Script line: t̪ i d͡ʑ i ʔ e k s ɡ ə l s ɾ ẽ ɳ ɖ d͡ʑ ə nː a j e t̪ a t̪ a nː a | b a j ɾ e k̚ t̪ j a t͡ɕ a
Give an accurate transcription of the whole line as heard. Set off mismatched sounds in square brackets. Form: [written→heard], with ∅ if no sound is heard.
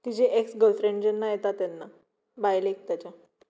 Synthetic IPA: t̪ i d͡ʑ [i→e] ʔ e k s ɡ ə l [s→f] ɾ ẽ ɳ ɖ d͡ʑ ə nː a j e t̪ a t̪ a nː a | b a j [ɾ→l] e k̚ t̪ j a t͡ɕ a